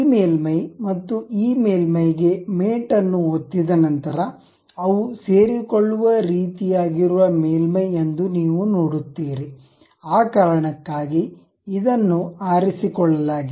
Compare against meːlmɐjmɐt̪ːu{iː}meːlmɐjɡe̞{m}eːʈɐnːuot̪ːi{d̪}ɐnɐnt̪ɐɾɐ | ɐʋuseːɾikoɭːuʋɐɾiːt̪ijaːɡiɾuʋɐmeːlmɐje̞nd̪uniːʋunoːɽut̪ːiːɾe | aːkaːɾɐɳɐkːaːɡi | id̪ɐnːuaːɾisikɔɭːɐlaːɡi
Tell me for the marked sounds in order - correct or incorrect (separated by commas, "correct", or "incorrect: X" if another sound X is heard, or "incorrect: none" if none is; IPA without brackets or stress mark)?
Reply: correct, correct, correct